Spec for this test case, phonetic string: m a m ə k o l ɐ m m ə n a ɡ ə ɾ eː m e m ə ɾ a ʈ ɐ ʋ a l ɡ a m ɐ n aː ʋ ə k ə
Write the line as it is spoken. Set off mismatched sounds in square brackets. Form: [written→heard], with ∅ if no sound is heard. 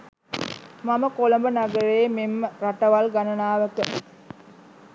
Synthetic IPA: m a m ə k o l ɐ m [m→b] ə n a ɡ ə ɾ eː m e m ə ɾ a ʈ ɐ ʋ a l ɡ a [m→n] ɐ n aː ʋ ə k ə

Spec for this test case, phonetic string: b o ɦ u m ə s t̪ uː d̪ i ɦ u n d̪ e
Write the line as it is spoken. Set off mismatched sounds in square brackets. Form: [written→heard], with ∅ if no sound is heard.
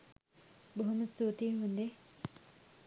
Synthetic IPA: b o ɦ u m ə s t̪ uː [d̪→t̪] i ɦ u n d̪ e

